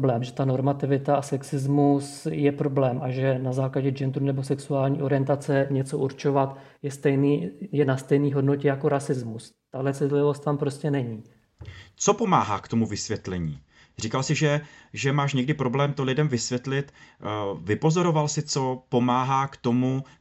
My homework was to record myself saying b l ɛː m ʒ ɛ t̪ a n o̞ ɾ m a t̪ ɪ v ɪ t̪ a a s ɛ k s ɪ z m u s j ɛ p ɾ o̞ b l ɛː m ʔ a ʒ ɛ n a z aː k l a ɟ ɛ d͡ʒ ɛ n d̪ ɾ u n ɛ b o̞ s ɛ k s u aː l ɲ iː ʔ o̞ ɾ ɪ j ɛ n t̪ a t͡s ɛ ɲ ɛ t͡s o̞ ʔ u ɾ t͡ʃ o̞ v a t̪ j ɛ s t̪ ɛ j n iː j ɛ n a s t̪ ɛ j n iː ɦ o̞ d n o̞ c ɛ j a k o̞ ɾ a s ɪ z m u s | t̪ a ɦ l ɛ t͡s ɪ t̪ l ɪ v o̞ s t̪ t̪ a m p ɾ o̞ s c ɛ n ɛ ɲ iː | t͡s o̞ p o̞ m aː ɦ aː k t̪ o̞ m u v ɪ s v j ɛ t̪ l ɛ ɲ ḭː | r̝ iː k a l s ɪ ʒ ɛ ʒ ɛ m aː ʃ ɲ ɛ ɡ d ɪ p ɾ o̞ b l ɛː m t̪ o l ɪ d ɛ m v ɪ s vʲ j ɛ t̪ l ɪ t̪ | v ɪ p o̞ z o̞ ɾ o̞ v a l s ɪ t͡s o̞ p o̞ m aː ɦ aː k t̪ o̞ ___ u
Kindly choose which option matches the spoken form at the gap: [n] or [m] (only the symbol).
m